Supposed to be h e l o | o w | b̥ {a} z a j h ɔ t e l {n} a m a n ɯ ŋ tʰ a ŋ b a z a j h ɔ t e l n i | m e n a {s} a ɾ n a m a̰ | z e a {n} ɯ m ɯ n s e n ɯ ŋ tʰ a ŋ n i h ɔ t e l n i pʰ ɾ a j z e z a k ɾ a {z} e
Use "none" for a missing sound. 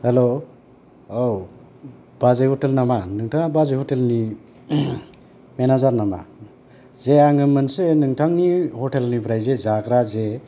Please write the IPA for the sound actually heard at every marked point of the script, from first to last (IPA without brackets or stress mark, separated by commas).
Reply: a, n, z, ŋ, z